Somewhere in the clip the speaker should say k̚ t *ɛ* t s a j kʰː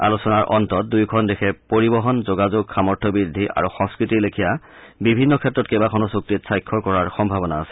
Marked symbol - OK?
no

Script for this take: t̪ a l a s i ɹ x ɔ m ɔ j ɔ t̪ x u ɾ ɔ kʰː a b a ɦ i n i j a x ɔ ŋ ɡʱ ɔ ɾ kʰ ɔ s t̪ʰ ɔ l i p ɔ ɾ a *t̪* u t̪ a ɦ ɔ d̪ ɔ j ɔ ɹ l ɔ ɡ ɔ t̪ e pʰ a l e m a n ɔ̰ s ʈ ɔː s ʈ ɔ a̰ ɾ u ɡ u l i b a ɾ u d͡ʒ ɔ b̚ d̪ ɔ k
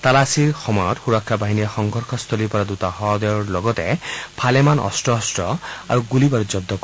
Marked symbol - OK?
no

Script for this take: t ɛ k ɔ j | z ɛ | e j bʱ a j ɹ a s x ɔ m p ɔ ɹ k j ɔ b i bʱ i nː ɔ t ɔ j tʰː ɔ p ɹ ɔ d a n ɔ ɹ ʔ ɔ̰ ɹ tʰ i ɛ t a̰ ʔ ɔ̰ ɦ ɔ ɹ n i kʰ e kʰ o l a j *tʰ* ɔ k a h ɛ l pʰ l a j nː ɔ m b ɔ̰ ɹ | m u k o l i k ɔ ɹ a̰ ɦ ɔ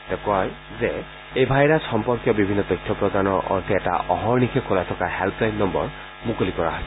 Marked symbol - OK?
yes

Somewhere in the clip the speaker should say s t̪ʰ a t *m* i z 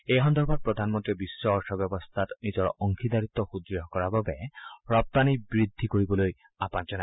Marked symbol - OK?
no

